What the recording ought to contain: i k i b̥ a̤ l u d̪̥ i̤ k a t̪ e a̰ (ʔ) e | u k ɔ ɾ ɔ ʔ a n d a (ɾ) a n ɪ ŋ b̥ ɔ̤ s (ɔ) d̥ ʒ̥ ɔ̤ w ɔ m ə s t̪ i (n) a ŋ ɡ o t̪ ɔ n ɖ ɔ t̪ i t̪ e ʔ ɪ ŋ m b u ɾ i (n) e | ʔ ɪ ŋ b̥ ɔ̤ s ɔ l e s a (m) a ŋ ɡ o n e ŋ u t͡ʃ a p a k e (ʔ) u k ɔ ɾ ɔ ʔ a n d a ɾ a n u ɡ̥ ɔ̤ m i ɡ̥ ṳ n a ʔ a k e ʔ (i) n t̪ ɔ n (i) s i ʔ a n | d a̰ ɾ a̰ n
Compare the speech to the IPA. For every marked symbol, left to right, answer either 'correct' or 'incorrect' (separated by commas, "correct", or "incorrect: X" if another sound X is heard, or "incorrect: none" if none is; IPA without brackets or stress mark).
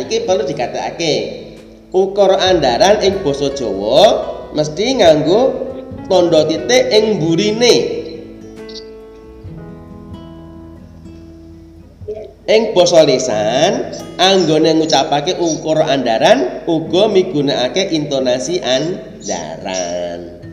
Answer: incorrect: k, correct, correct, incorrect: ŋ, correct, incorrect: n, correct, correct, incorrect: a